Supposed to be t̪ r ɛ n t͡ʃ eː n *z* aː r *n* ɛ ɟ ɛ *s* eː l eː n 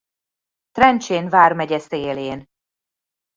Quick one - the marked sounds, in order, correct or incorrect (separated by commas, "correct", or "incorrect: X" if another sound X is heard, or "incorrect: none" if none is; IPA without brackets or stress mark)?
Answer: incorrect: v, incorrect: m, correct